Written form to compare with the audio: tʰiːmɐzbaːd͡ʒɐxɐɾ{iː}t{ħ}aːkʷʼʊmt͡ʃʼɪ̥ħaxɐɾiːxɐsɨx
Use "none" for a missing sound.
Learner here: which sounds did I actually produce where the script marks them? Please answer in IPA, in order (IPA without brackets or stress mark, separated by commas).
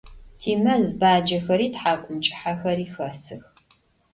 iː, ħ